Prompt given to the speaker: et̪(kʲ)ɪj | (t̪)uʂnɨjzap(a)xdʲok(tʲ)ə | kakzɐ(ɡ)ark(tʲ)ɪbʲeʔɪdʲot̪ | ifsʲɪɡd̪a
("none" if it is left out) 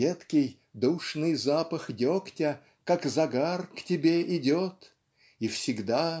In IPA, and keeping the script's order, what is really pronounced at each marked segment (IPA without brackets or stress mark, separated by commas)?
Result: kʲ, d̪, ə, tʲ, ɡ, tʲ